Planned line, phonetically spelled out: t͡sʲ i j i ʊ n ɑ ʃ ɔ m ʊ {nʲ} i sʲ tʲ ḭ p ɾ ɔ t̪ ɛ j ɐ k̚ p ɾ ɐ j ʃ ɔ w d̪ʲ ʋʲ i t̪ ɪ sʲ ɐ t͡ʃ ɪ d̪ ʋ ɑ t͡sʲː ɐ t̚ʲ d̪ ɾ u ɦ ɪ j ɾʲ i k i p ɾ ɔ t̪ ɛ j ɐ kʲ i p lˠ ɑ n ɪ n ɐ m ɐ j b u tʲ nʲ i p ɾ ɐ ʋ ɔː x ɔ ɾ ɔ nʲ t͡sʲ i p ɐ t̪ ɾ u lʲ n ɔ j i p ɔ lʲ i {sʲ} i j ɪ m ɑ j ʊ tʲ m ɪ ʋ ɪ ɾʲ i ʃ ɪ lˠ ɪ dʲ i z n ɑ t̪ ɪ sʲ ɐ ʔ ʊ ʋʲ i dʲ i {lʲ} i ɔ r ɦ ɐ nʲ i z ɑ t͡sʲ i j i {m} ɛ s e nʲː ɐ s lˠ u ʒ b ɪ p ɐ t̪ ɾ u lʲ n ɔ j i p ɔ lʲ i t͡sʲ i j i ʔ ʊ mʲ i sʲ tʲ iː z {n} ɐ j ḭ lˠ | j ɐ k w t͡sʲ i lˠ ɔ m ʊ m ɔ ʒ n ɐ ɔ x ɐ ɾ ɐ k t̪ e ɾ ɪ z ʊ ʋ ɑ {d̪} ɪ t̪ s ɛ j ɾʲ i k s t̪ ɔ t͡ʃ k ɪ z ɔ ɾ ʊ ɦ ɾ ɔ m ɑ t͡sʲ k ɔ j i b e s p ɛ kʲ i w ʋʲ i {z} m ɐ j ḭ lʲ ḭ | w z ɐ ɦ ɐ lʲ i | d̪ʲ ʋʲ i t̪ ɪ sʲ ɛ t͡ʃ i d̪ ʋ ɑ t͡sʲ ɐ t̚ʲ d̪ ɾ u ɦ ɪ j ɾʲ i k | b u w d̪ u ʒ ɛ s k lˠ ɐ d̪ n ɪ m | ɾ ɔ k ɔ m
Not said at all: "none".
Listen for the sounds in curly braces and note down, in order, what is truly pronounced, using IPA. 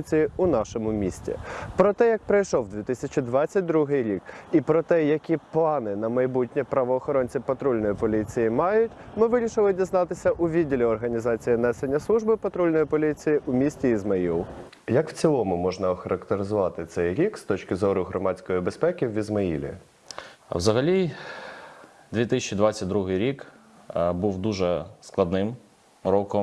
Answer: mʲ, t͡sʲ, lʲ, n, m, t̪, z

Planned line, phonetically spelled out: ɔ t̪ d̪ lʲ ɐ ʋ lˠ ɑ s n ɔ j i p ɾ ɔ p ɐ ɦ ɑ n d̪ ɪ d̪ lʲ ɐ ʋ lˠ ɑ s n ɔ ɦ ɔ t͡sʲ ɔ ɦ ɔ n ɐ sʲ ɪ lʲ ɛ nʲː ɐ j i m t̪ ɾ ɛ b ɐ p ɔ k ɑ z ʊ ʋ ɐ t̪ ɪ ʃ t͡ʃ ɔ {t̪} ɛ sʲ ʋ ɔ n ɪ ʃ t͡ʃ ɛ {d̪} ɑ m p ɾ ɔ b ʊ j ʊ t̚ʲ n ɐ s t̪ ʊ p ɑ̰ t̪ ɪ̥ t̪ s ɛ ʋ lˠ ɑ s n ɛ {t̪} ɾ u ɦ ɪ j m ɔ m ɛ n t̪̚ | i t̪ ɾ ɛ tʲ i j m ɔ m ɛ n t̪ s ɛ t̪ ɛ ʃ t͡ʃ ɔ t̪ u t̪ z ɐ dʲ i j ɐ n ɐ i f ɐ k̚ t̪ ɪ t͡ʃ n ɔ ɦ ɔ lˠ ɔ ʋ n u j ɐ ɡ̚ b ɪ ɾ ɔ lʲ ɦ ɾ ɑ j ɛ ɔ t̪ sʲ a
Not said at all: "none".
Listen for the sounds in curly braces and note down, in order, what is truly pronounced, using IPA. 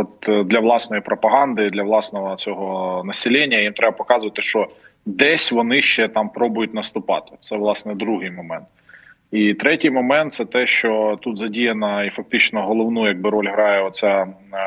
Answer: d̪, t̪, d̪

